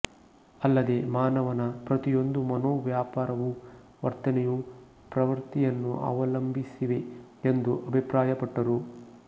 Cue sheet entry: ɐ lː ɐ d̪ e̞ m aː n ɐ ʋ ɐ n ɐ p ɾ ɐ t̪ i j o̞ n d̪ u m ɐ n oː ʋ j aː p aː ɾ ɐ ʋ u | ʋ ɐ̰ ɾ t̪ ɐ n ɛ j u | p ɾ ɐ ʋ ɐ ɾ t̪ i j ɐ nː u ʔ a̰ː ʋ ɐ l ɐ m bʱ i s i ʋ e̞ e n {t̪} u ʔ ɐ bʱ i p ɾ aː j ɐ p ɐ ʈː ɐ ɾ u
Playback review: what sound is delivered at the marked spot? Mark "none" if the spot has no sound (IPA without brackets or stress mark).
d̪